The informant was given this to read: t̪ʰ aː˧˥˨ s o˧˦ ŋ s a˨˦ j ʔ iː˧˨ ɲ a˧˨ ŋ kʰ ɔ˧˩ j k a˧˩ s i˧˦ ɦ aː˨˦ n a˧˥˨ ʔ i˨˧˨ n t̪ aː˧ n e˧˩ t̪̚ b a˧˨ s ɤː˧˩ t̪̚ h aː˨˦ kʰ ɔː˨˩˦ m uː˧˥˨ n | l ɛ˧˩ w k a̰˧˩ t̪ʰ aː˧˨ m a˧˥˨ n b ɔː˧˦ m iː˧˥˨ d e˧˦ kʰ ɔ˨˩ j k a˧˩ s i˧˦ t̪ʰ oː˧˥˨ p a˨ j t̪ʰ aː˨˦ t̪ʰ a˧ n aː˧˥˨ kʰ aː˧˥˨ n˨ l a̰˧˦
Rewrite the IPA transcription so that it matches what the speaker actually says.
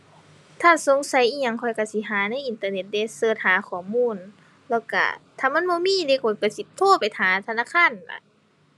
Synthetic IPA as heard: t̪ʰ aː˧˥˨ s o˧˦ ŋ s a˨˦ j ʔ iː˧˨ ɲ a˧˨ ŋ kʰ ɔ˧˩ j k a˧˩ s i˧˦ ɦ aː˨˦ n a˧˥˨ ʔ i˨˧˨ n t̪ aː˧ n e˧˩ t̪̚ d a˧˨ s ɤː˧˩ t̪̚ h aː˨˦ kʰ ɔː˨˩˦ m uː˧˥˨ n | l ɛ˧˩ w k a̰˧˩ t̪ʰ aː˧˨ m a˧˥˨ n b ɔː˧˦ m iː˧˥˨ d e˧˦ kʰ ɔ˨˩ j k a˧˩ s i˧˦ t̪ʰ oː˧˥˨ p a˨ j t̪ʰ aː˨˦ t̪ʰ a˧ n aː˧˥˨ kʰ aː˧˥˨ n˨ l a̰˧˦